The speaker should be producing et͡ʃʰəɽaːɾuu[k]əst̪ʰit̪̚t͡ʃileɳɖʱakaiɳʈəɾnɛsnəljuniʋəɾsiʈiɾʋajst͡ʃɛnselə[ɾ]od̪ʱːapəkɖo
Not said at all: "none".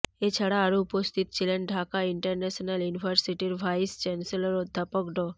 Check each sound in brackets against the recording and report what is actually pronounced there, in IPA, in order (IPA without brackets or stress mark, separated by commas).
p, ɾ